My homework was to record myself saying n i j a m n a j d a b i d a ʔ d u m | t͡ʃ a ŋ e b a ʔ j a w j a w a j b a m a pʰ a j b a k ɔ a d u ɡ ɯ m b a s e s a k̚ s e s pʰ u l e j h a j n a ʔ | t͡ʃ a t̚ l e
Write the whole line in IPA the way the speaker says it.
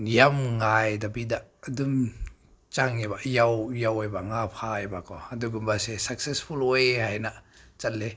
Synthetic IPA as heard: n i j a m ŋ a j d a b i d a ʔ d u m | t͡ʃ a ŋ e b a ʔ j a w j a w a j b a ŋ a pʰ a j b a k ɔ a d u ɡ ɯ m b a s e s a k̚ s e s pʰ u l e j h a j n a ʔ | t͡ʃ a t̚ l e